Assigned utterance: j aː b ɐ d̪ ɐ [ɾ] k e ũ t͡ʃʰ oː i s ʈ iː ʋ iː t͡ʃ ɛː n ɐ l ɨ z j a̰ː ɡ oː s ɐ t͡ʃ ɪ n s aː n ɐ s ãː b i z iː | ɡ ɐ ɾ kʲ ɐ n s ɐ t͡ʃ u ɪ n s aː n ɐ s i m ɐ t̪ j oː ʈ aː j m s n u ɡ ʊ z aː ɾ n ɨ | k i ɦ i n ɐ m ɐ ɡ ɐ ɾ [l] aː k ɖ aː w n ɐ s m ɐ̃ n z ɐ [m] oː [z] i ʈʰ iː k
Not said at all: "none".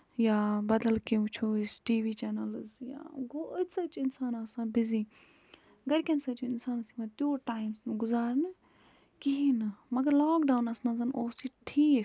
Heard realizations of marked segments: l, l, n, s

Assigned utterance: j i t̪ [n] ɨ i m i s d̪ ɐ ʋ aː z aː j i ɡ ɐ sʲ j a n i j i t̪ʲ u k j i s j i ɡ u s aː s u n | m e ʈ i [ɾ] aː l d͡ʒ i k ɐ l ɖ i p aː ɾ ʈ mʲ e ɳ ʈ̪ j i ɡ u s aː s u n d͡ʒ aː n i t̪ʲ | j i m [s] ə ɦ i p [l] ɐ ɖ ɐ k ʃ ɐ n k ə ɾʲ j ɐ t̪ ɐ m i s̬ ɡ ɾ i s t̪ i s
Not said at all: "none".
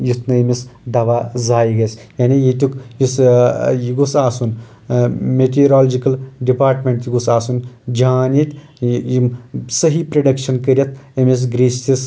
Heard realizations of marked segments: n, ɾ, s, ɾ

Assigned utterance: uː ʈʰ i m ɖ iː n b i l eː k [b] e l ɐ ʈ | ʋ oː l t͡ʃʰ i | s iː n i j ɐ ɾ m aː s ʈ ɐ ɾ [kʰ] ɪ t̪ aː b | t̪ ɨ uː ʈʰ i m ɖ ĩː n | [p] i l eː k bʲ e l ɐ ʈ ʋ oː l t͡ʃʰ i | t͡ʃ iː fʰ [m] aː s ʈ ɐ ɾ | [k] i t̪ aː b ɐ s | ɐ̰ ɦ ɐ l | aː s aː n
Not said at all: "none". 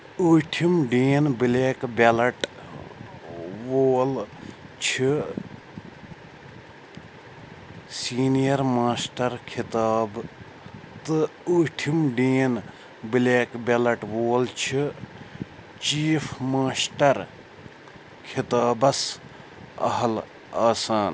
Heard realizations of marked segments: b, kʰ, b, m, kʰ

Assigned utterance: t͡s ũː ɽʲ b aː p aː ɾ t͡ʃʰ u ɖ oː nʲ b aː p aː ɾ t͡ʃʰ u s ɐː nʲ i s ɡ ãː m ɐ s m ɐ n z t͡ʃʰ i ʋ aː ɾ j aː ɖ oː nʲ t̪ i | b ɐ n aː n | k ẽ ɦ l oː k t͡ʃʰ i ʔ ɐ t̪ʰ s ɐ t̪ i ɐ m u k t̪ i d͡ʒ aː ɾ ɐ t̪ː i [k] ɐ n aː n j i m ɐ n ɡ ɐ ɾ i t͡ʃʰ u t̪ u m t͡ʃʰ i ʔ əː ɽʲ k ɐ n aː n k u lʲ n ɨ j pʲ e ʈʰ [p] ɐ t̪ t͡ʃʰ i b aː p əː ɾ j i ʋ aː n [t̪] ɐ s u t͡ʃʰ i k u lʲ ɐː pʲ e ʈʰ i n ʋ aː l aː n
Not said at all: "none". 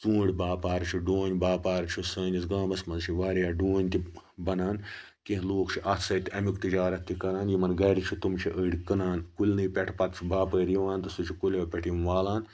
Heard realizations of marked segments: k, p, t̪

